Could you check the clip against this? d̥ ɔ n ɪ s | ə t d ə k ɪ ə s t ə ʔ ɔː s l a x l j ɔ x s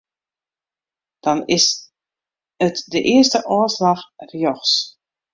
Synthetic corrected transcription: d̥ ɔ n ɪ s | ə t d ə ʔ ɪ ə s t ə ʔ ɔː s l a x r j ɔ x s